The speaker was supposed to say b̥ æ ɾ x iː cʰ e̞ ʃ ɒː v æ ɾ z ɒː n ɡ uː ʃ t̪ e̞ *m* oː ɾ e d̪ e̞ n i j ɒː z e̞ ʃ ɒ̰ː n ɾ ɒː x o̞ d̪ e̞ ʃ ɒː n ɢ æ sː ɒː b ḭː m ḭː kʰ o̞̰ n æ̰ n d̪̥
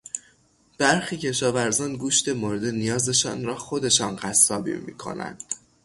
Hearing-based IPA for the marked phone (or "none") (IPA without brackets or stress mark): m